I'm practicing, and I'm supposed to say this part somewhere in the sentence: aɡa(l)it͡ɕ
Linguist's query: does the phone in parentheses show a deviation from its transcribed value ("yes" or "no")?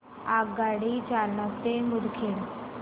yes